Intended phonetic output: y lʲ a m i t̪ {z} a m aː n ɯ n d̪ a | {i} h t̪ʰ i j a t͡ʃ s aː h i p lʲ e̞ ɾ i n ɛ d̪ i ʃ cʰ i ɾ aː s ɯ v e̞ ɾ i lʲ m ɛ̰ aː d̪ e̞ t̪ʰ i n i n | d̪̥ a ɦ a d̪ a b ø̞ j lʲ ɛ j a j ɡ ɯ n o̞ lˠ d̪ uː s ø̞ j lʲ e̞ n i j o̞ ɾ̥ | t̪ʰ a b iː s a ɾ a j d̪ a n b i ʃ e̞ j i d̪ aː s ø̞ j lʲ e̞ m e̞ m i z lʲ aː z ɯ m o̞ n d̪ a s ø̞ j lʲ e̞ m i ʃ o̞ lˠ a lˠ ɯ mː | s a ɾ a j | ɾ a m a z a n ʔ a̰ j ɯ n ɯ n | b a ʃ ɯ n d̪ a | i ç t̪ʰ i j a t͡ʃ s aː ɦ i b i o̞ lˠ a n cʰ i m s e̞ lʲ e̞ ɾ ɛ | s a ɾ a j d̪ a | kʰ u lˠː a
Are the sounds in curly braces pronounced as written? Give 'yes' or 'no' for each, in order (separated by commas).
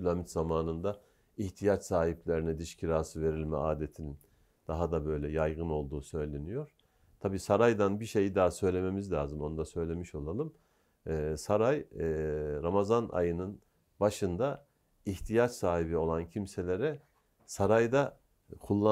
yes, yes